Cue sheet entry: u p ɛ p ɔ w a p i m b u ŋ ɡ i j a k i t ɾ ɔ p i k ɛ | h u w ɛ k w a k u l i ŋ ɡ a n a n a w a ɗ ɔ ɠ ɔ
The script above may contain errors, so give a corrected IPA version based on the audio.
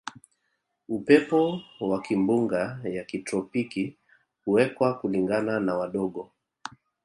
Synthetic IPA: u p ɛ p ɔ w a k i m b u ŋ ɡ a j a k i t ɾ ɔ p i k i | h u w ɛ k w a k u l i ŋ ɡ a n a n a w a ɗ ɔ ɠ ɔ